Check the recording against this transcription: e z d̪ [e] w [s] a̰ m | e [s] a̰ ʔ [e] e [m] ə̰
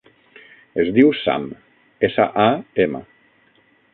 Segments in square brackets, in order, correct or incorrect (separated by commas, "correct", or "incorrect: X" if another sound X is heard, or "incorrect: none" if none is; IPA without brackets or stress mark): incorrect: i, correct, correct, incorrect: a, correct